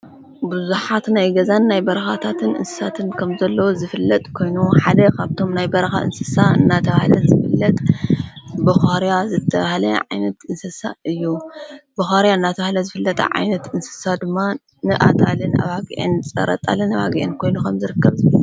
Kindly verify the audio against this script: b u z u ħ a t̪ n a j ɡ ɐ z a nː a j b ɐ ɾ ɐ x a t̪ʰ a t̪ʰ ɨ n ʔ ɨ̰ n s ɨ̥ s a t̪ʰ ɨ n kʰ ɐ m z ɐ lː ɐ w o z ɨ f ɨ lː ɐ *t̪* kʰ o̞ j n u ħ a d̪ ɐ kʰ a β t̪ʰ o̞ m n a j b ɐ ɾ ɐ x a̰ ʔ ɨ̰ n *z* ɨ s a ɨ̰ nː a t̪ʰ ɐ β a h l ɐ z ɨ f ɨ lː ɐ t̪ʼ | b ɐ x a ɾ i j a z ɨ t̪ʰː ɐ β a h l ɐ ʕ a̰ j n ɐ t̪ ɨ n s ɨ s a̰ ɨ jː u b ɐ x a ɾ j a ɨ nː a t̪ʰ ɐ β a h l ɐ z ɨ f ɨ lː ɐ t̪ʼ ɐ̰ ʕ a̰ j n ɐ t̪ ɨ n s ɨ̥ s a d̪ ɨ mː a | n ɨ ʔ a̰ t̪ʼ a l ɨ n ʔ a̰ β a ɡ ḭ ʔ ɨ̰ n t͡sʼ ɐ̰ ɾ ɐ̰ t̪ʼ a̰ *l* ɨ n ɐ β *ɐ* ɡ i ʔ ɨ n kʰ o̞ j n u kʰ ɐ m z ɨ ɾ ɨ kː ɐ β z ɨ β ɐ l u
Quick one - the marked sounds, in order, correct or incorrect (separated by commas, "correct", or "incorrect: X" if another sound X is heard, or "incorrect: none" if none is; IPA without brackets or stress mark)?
incorrect: t̪ʼ, incorrect: s, correct, incorrect: a